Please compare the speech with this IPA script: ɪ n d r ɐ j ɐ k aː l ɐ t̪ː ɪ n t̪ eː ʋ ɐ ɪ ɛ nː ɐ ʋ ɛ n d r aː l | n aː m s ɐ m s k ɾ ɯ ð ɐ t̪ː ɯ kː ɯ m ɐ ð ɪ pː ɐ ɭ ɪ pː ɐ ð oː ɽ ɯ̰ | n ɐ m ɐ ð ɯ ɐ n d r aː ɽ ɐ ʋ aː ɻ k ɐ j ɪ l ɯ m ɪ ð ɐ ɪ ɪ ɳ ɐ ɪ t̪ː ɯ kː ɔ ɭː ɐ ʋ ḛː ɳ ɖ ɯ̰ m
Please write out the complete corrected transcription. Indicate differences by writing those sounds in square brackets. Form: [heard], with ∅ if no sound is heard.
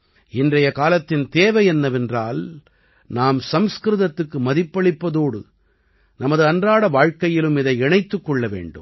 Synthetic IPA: ɪ n d r ɐ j ɐ k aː l ɐ t̪ː ɪ n t̪ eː ʋ ɐ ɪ ɛ nː ɐ ʋ ɛ n d r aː l | n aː m s ɐ m s k ɾ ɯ ð ɐ t̪ː ɯ kː ɯ m ɐ ð ɪ pː ɐ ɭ ɪ pː ɐ ð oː ɽ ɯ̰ | n ɐ m ɐ ð ɯ ɐ n d r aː ɽ ɐ ʋ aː ɻ k ɐ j ɪ l ɯ m ɪ ð ɐ ɪ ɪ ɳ ɐ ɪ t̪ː ɯ kː ɔ ɭː ɐ ʋ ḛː ɳ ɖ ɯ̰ m